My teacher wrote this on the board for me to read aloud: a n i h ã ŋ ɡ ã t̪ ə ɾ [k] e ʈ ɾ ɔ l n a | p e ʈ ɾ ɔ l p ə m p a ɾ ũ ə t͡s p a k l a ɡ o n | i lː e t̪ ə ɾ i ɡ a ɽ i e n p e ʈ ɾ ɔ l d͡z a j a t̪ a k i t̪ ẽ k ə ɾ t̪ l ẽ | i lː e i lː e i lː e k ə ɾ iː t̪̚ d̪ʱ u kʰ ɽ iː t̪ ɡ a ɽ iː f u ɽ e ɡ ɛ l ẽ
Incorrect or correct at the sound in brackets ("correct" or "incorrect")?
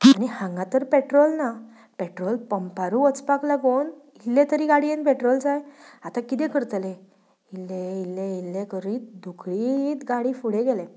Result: incorrect